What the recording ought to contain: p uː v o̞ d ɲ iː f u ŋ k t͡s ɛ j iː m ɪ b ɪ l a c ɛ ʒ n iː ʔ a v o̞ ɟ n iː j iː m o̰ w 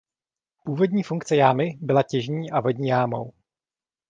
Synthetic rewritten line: p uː v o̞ d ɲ iː f u ŋ k t͡s ɛ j aː m ɪ b ɪ l a c ɛ ʒ ɲ iː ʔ a v o̞ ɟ ɲ iː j aː m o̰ w